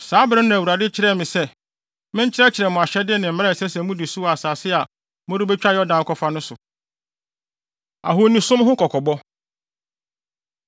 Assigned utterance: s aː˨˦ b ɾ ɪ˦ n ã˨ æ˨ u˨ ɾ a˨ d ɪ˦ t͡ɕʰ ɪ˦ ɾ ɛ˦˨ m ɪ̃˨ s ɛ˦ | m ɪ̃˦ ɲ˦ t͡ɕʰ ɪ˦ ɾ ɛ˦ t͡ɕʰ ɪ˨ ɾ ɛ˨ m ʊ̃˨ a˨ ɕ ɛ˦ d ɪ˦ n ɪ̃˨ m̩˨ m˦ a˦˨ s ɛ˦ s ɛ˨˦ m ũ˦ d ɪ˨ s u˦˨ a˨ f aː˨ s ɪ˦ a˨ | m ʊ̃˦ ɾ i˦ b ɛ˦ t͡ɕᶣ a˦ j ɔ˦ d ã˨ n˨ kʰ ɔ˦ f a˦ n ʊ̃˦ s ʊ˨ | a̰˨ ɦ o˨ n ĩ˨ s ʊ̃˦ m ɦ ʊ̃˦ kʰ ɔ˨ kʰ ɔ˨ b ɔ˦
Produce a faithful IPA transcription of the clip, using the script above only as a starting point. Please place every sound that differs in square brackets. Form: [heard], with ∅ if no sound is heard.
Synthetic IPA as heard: s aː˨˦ b ɾ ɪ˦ n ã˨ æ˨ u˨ ɾ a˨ d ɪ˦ t͡ɕʰ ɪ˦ ɾ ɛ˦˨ m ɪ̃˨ s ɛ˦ | m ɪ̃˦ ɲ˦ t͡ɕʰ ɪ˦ ɾ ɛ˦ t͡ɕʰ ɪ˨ ɾ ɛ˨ m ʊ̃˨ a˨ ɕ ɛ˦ d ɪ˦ n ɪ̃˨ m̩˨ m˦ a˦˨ s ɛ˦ s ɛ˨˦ m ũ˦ d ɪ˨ s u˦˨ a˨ [s] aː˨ s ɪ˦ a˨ | m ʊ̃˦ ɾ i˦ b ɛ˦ t͡ɕᶣ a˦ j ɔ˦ d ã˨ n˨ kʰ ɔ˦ f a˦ n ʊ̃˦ s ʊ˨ | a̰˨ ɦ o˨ n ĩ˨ s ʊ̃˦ m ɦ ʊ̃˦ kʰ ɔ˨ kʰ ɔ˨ b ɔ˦